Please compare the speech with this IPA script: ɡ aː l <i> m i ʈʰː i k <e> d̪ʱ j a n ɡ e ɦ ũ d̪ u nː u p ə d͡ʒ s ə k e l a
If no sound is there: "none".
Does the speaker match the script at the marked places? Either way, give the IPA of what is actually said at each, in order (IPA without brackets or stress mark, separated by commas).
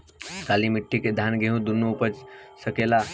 i, e